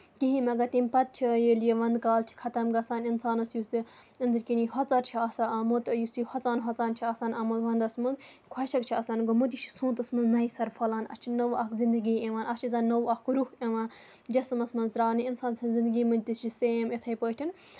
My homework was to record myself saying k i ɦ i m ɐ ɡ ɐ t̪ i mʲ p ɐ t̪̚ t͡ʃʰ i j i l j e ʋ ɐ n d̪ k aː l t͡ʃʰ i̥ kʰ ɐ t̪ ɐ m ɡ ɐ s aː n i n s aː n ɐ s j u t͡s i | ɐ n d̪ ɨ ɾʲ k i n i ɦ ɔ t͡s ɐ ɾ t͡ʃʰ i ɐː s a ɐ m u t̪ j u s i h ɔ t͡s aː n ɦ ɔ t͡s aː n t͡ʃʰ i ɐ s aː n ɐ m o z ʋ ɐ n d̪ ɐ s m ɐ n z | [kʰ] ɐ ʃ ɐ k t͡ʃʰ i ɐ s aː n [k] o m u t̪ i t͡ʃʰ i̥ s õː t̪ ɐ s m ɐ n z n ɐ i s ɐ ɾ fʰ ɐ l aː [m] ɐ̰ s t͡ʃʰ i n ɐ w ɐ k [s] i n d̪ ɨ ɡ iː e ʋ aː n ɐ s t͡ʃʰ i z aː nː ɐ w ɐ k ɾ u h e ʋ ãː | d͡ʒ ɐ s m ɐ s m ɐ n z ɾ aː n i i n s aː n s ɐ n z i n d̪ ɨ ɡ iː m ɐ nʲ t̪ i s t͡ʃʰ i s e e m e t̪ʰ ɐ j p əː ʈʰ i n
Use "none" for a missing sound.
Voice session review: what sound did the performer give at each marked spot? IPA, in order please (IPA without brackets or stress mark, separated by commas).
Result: kʰ, ɡ, n, z